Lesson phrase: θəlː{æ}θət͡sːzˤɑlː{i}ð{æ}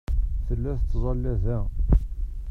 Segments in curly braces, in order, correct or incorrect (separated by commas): correct, incorrect, correct